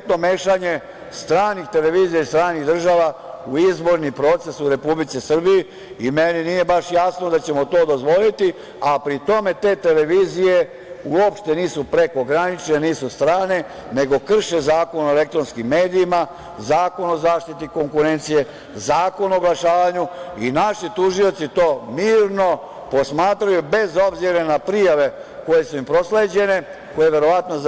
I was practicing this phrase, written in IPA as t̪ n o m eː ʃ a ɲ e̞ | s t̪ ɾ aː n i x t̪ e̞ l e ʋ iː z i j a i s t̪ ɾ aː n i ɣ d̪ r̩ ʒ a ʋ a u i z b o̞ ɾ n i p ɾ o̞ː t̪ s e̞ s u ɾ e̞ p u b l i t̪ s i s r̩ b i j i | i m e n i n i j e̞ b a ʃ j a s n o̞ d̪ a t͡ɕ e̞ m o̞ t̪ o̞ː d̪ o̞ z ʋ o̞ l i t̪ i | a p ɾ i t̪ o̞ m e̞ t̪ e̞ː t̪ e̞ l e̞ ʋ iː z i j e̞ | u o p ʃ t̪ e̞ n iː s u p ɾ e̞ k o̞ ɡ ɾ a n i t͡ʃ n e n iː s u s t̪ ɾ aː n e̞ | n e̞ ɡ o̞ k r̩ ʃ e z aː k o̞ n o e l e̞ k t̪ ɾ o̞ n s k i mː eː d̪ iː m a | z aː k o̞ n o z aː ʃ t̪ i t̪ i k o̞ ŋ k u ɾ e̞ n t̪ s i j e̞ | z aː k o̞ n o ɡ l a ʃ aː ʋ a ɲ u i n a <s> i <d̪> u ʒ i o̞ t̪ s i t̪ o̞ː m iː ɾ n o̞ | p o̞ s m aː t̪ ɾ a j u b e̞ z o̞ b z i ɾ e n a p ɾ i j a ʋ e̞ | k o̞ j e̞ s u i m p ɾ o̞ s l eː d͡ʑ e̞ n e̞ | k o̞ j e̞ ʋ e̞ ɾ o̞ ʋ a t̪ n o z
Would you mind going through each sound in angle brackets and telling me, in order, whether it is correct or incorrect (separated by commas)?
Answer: incorrect, incorrect